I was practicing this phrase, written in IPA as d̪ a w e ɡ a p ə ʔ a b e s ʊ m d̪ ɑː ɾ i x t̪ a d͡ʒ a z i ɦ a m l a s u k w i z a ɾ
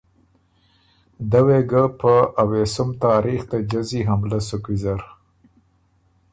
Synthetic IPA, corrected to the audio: d̪ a w e ɡ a p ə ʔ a w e s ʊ m t̪ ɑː ɾ i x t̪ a d͡ʒ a z i ɦ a m l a s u k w i z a ɾ